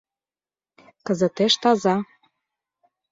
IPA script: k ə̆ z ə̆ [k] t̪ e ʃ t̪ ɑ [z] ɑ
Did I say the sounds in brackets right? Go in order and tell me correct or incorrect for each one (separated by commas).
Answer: incorrect, correct